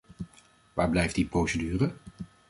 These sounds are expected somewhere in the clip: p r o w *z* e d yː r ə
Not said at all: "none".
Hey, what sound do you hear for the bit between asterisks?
s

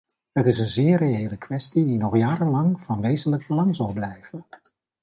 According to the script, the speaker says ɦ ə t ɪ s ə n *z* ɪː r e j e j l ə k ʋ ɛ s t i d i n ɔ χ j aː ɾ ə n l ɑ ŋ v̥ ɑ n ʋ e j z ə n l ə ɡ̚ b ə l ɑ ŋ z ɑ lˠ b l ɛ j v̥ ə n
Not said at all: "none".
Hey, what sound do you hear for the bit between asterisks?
z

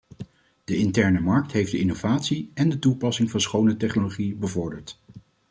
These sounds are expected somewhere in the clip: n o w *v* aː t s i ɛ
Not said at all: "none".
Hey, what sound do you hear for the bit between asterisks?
v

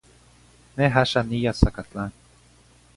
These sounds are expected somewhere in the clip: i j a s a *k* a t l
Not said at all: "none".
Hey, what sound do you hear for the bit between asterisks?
k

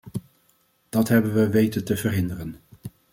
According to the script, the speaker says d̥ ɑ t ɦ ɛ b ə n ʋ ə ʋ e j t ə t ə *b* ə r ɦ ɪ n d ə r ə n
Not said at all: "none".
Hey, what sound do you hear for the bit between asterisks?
v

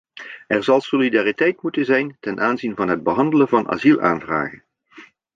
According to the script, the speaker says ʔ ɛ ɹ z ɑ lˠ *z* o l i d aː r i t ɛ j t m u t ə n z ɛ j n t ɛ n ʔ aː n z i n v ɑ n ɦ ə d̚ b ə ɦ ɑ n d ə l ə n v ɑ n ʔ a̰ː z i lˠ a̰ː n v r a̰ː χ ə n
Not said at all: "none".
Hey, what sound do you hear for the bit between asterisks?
s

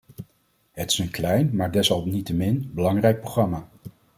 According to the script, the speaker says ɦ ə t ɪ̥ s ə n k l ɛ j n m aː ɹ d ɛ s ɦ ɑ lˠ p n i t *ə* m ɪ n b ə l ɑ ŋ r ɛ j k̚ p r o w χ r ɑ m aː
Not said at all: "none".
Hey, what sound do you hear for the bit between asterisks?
ə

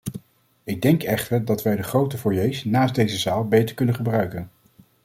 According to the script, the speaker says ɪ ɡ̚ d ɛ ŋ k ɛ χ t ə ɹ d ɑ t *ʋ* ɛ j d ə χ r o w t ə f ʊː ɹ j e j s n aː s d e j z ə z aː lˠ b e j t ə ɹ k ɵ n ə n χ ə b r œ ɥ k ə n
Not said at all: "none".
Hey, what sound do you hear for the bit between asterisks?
ʋ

